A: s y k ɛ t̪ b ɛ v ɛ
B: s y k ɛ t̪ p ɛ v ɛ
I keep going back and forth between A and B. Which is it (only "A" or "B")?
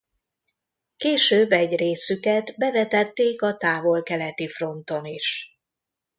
A